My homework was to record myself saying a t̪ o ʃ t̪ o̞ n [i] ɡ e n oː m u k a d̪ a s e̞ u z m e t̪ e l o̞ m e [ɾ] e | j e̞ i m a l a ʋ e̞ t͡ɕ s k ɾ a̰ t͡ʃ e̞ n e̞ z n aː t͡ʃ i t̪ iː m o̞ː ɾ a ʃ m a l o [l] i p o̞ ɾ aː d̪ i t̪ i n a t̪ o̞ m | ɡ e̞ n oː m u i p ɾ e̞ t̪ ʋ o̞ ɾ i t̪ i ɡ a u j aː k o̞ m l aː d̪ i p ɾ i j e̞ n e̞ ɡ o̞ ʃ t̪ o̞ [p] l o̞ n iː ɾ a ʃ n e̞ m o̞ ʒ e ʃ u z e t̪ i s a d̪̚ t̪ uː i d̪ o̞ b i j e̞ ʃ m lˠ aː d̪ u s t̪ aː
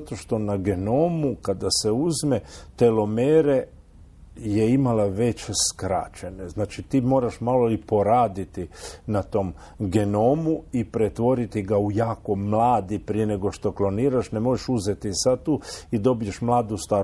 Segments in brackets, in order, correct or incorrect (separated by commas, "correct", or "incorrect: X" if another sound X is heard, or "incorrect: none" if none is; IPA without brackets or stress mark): incorrect: a, correct, correct, incorrect: k